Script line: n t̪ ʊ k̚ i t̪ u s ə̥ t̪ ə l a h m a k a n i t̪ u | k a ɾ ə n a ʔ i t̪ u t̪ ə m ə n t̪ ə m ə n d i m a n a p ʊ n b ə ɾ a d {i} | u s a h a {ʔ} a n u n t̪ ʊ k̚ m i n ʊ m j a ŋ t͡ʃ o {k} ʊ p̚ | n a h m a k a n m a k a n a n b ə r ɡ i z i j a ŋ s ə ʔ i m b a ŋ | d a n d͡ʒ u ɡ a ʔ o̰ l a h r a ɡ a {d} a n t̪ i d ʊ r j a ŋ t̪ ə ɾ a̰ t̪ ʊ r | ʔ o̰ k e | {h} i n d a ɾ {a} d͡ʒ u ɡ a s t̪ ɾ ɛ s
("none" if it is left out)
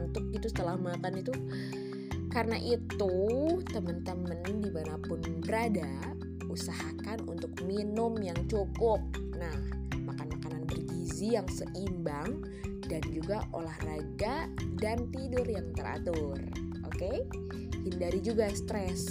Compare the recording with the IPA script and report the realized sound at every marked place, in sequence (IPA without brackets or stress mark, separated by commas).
a, k, k, d, h, i